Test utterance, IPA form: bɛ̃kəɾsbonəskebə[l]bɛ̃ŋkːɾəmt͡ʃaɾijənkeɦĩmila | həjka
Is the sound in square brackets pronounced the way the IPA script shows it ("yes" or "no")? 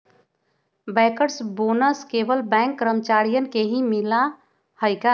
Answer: yes